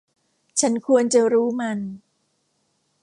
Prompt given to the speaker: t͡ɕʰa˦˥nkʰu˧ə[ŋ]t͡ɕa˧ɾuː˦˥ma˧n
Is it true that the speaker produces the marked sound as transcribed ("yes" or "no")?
no